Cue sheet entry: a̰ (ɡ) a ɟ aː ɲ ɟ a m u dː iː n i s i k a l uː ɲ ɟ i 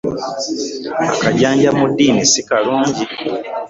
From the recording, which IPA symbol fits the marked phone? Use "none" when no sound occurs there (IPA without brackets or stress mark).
k